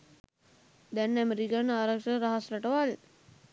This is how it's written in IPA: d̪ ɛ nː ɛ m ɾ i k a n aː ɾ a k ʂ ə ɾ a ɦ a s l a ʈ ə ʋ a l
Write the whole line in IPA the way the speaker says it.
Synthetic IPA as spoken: d̪ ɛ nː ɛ m ɾ i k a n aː ɾ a k ʂ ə ɾ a ɦ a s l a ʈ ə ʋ a l